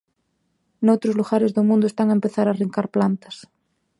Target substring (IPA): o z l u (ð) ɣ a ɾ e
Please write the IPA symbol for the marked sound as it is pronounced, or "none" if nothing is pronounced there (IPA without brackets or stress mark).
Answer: none